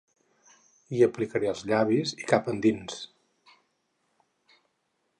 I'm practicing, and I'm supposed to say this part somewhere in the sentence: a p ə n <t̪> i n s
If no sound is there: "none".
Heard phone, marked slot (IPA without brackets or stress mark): d̪